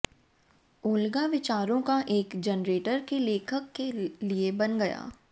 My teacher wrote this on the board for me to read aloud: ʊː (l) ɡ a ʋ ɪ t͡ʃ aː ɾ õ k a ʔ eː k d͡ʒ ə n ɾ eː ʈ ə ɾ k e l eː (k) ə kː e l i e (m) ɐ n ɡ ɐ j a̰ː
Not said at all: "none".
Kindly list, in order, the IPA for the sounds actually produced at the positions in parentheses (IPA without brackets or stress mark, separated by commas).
l, kʰ, b